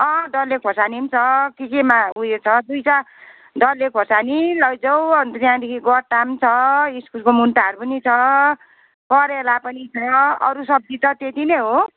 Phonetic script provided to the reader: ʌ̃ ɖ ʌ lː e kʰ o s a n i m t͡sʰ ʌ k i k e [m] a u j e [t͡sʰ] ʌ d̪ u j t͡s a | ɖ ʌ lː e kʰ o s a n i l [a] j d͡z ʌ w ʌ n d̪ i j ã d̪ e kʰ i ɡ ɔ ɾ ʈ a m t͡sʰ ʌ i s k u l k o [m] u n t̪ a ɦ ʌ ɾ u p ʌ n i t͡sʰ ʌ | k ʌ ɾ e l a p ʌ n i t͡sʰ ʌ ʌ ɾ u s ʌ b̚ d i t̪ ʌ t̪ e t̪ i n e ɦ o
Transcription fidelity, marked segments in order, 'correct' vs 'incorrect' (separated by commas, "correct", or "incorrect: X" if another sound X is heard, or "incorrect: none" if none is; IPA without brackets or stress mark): correct, correct, incorrect: ʌ, correct